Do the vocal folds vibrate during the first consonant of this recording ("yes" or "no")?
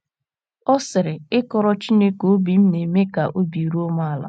no